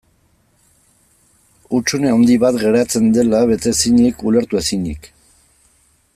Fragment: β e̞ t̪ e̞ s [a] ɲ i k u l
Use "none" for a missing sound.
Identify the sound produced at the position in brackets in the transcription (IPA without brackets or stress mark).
i